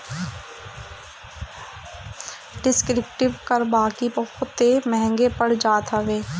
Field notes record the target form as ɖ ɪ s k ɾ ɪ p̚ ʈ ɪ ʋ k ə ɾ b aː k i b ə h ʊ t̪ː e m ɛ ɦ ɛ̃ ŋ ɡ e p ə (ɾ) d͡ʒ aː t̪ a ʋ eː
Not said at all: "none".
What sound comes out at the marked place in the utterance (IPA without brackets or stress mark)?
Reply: ɽ